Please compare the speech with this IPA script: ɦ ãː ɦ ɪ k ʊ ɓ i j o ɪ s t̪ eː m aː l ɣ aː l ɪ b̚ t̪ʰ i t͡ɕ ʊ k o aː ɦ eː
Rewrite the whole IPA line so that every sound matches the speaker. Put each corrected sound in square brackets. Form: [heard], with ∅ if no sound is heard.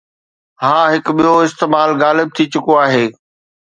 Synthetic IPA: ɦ ãː ɦ ɪ k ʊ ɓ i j o ɪ s t̪ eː m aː l ɣ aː l ɪ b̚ t̪ʰ i t͡ɕ ʊ k o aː ɦ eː